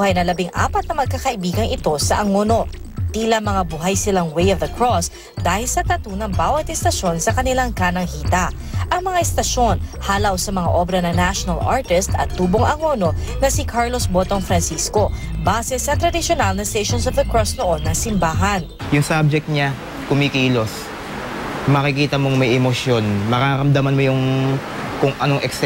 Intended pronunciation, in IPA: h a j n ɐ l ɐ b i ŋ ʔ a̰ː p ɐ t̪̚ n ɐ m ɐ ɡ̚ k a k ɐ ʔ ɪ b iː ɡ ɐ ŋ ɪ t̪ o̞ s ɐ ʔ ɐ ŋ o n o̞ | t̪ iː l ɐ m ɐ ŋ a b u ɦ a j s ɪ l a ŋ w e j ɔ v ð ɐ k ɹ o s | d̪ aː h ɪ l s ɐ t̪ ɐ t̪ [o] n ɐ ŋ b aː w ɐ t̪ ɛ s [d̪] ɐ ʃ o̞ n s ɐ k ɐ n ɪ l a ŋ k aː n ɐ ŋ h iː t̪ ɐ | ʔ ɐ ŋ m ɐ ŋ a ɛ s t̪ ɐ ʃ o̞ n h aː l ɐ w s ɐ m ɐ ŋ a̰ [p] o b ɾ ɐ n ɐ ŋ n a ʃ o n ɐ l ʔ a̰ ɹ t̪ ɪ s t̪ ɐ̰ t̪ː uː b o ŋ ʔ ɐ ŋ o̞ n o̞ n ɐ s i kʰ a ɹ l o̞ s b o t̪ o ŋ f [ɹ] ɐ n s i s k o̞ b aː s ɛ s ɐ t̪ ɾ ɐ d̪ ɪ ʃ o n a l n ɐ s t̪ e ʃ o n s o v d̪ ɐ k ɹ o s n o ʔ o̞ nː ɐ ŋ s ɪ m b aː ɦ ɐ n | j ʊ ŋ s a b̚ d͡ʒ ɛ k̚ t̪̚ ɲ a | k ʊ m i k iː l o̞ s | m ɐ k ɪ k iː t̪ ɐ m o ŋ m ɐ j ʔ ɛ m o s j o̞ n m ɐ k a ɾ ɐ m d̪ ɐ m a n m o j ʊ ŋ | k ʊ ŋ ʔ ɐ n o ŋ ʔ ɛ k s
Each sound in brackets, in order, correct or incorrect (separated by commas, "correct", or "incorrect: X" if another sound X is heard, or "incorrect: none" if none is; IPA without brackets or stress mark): incorrect: u, incorrect: t̪, incorrect: ʔ, incorrect: ɾ